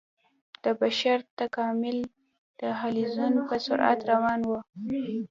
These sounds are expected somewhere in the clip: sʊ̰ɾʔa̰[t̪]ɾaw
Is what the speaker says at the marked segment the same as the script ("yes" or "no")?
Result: yes